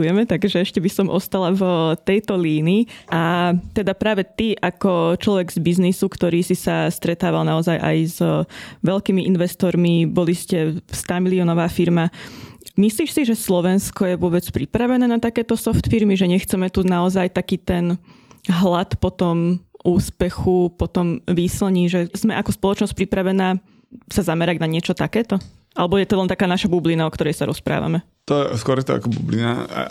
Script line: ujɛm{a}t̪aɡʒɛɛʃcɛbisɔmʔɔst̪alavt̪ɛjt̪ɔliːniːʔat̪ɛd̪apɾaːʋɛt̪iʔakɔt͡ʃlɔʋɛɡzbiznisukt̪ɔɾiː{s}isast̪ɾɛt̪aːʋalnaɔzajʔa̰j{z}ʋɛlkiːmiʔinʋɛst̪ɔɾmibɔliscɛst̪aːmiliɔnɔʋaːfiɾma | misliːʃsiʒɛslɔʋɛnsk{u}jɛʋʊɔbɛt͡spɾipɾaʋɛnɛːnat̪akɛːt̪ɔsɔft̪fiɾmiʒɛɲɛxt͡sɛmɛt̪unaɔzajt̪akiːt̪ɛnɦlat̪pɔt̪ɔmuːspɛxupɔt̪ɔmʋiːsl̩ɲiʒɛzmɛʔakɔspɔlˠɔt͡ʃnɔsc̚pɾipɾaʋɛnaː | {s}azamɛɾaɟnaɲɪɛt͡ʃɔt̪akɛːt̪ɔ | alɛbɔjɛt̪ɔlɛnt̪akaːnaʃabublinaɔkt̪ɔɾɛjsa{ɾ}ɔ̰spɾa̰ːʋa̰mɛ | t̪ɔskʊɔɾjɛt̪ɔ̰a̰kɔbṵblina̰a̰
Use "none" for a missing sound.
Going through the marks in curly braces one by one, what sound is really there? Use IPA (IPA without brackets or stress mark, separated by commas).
ɛ, s, z, ɔ, s, ɾ